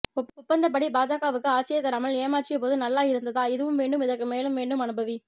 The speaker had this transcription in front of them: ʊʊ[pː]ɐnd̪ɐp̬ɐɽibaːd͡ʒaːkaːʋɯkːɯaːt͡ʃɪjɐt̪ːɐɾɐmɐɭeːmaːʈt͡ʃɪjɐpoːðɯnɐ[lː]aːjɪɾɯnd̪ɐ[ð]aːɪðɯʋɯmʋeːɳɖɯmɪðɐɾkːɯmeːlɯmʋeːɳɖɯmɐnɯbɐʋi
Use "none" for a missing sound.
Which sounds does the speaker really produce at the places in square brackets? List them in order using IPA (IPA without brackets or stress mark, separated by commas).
pː, lː, ð